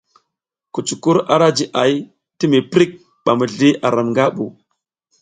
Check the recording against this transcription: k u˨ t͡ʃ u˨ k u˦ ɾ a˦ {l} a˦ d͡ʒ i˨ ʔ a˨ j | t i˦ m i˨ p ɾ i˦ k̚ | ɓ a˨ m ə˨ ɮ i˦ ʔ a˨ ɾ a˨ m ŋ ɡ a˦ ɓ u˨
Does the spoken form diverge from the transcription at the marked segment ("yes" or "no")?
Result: yes